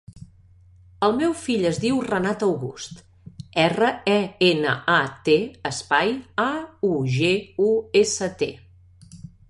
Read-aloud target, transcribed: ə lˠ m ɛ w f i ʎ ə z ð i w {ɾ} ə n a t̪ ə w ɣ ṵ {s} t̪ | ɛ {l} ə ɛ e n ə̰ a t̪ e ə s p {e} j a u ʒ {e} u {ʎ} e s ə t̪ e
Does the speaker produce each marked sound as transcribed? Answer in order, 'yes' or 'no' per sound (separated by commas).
no, yes, no, no, yes, no